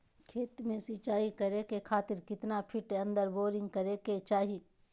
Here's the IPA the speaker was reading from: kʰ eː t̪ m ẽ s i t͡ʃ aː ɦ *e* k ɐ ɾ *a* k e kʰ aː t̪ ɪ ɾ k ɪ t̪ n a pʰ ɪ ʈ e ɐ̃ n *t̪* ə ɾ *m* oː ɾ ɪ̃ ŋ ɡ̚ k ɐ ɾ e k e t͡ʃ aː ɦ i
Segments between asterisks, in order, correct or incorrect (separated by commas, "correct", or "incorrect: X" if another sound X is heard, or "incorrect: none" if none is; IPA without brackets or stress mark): incorrect: i, incorrect: e, incorrect: d̪, incorrect: b